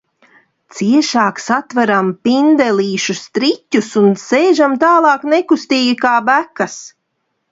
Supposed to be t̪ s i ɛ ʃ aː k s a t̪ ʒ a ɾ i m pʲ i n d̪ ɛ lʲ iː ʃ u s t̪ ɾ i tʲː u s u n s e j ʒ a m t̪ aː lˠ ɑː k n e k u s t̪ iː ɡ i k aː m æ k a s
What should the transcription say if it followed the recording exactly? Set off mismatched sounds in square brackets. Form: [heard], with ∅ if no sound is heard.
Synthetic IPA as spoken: t̪ s i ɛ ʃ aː k s a t̪ [v] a ɾ [a] m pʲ i n d̪ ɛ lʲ iː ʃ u s t̪ ɾ i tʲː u s u n s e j ʒ a m t̪ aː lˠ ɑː k n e k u s t̪ iː ɡ i k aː [b] æ k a s